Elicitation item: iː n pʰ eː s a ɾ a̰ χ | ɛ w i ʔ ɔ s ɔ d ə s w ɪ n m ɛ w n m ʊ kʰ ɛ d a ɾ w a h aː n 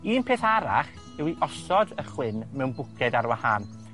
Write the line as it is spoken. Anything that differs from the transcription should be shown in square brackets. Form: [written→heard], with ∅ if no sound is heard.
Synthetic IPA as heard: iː n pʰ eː [s→θ] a ɾ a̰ χ | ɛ w i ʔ ɔ s ɔ d ə [s→χ] w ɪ n m ɛ w n [m→b] ʊ kʰ ɛ d a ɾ w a h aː n